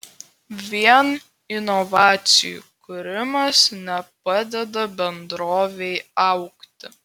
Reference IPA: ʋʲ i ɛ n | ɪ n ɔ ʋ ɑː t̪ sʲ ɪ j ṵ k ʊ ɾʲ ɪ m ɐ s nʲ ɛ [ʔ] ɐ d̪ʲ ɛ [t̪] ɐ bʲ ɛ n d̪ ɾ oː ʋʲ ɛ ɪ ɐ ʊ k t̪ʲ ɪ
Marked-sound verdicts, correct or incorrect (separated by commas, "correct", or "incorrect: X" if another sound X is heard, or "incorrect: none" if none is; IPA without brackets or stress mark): incorrect: p, incorrect: d̪